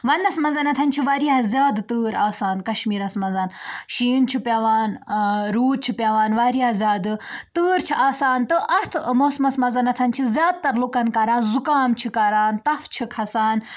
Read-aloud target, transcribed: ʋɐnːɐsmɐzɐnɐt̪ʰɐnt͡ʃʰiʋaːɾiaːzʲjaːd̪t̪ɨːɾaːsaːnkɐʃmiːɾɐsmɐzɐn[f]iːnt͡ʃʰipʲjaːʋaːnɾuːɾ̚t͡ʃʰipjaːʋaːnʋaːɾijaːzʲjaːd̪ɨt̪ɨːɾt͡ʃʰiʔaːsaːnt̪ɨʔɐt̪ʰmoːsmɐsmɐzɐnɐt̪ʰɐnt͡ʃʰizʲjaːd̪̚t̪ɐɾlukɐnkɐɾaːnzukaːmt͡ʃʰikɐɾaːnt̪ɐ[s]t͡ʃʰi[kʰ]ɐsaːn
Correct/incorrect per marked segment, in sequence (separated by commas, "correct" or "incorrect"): incorrect, incorrect, correct